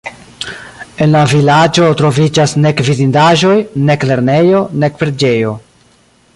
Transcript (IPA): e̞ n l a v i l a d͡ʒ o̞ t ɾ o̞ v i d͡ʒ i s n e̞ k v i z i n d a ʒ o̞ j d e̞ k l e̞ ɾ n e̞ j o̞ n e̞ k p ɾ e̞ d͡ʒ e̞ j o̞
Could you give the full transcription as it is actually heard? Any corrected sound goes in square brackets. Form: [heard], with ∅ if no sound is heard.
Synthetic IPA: e̞ n l a v i l a d͡ʒ o̞ t ɾ o̞ v i d͡ʒ [a] s n e̞ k v i z i n d a ʒ o̞ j [n] e̞ k l e̞ ɾ n e̞ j o̞ n e̞ k p ɾ e̞ d͡ʒ e̞ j o̞